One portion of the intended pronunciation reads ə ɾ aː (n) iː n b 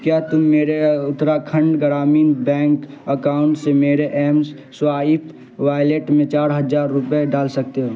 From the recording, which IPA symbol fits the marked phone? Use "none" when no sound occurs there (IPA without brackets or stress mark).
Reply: m